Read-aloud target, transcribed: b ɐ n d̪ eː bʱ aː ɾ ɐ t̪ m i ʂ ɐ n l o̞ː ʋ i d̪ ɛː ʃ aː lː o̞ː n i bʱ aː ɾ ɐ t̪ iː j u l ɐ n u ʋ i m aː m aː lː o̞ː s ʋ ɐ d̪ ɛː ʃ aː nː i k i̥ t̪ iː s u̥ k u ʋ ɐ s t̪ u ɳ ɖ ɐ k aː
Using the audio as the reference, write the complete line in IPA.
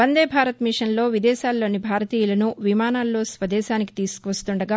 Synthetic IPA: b ɐ n d̪ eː bʱ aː ɾ ɐ t̪ m i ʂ ɐ n l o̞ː ʋ i d̪ ɛː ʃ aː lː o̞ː n i bʱ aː ɾ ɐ t̪ iː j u l ɐ n u ʋ i m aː n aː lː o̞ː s ʋ ɐ d̪ ɛː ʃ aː n i k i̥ t̪ iː s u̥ k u ʋ ɐ s t̪ u ɳ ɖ ɐ ɡ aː